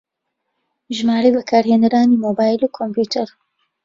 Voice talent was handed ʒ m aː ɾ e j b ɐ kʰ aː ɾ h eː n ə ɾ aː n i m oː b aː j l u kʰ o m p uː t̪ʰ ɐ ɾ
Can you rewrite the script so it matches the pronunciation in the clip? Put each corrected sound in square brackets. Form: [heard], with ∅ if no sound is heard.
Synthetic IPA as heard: ʒ m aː ɾ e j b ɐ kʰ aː ɾ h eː n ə ɾ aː n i m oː b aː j l u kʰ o m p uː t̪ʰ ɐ ɾ